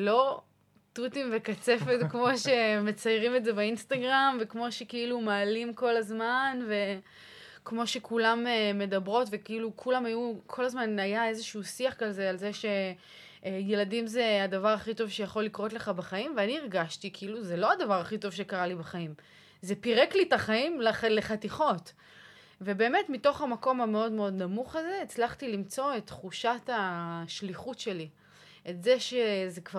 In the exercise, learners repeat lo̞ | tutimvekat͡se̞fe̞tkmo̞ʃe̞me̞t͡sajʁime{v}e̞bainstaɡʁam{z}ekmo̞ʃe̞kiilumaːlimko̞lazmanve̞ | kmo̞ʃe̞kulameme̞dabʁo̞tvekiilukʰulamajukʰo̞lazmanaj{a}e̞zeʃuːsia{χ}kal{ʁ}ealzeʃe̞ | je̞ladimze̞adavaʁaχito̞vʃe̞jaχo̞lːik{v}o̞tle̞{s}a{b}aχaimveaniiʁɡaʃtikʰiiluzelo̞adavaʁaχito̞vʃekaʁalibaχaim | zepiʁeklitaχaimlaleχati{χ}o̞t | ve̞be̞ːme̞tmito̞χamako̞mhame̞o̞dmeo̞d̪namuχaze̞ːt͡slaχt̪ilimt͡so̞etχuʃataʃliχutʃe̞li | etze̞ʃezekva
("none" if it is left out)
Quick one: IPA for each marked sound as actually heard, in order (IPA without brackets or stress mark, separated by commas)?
z, v, a, χ, z, ʁ, χ, b, χ